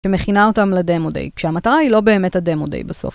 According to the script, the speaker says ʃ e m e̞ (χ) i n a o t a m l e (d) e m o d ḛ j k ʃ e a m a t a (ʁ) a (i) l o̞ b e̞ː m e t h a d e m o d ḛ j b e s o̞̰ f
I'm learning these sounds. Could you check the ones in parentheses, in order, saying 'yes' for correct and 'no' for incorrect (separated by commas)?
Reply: yes, yes, yes, yes